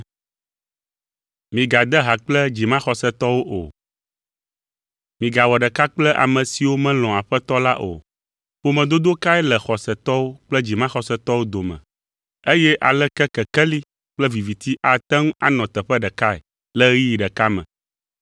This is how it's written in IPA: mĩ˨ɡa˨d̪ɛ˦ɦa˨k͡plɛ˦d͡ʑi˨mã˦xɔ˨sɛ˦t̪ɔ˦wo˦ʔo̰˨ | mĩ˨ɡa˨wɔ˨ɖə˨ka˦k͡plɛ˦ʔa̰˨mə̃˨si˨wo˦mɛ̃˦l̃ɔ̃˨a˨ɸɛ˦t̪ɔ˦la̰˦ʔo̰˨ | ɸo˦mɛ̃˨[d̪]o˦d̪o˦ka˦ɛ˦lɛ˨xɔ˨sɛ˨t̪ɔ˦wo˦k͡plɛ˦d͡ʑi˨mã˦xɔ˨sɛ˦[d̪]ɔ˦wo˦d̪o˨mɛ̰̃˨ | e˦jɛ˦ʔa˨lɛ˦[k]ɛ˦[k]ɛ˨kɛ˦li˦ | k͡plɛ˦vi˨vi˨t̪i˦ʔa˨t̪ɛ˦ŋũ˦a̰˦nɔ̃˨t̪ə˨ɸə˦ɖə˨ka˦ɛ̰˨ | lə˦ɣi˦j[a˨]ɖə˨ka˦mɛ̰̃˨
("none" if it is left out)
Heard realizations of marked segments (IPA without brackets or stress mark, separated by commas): d̪, t̪, k, k, i˨